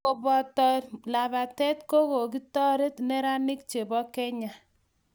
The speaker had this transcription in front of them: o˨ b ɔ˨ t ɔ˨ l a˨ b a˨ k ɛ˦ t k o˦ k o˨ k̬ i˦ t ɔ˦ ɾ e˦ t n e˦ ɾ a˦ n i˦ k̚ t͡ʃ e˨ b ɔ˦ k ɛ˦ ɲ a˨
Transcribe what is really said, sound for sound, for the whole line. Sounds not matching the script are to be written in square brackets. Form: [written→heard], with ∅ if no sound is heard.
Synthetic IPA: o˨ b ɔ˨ t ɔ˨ l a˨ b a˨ [k→t] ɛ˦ t k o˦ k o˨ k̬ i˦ t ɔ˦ ɾ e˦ t n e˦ ɾ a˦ n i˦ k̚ t͡ʃ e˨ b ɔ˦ k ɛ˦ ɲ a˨

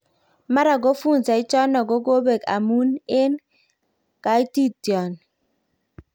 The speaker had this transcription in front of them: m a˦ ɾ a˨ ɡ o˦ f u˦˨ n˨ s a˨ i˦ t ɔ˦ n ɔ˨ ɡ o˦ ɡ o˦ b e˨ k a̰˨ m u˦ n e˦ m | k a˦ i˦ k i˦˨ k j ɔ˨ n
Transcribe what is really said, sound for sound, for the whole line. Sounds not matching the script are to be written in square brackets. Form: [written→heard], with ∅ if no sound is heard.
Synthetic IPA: m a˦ ɾ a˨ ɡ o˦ f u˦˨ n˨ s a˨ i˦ [t→t͡ʃ] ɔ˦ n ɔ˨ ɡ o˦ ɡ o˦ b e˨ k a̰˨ m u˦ n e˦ [m→n] | k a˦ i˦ [k→t] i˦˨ [k→t] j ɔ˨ n

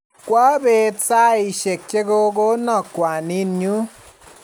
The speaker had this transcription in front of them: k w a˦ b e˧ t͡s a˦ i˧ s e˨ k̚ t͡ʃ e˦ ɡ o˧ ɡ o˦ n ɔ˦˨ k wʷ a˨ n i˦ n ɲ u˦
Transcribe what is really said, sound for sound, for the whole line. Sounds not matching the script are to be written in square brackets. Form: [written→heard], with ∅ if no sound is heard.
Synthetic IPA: k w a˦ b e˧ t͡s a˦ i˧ [s→ʃ] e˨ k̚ t͡ʃ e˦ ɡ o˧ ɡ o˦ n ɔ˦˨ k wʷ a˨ n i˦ n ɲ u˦

